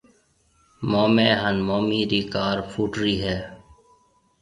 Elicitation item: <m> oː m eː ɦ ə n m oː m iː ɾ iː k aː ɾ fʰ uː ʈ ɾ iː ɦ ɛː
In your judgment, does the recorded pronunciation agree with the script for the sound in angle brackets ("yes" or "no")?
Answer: yes